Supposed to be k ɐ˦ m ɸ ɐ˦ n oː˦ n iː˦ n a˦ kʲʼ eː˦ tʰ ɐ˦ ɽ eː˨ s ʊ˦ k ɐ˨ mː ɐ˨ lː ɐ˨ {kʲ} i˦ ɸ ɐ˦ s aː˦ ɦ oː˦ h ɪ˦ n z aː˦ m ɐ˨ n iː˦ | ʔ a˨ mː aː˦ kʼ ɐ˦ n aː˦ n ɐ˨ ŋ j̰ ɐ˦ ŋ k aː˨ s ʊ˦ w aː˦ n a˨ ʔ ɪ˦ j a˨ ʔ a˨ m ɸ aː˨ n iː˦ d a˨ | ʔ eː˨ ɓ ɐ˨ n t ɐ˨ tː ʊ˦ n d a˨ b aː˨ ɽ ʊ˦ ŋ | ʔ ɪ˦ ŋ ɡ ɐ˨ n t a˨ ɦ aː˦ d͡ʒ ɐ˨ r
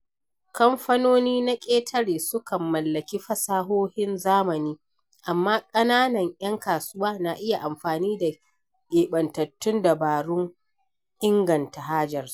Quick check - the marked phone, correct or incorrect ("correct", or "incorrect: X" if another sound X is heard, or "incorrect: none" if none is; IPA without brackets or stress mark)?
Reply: correct